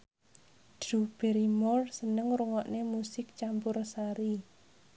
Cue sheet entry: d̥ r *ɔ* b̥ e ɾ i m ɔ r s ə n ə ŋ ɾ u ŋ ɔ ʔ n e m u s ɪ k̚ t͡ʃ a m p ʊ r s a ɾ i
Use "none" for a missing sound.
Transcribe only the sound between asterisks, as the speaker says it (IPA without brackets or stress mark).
u